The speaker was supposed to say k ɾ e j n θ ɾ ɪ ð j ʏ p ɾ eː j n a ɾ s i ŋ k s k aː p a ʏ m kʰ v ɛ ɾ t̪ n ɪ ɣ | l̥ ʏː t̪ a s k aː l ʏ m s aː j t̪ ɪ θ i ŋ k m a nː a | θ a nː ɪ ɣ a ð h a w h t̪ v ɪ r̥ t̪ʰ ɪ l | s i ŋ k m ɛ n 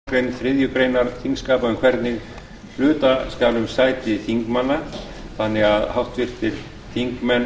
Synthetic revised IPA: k ɾ e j n θ ɾ ɪ ð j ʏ p ɾ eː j n a ɾ θ i ŋ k s k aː p a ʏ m kʰ v ɛ ɾ t̪ n ɪ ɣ | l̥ ʏː t̪ a s k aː l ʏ m s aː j t̪ ɪ θ i ŋ k m a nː a | θ a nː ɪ ɣ a ð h a w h t̪ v ɪ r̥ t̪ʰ ɪ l | θ i ŋ k m ɛ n